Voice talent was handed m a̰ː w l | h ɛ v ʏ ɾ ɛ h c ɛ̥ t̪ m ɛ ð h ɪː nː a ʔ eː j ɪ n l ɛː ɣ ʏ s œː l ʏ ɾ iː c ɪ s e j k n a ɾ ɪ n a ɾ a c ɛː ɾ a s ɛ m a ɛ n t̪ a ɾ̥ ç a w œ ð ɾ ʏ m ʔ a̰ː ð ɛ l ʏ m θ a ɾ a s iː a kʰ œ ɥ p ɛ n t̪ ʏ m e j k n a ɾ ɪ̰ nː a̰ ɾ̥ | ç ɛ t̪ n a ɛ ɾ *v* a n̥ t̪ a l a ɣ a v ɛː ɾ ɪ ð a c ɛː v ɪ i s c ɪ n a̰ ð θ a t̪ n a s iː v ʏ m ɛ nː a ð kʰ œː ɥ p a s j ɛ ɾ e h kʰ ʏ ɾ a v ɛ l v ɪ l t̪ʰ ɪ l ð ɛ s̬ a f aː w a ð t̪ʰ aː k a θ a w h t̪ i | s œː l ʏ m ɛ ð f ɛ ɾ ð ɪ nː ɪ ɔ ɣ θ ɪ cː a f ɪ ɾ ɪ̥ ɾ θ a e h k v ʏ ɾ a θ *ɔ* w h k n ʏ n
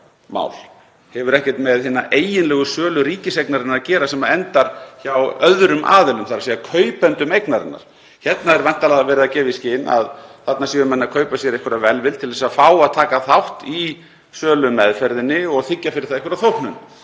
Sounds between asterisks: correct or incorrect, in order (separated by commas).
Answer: correct, incorrect